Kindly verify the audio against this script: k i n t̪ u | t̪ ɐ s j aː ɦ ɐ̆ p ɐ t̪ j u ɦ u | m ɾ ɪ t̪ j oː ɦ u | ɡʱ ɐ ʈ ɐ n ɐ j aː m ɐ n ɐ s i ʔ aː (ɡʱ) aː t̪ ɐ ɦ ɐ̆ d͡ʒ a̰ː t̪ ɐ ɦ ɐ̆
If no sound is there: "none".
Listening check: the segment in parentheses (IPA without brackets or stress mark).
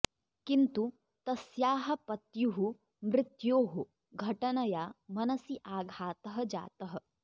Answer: ɡʱ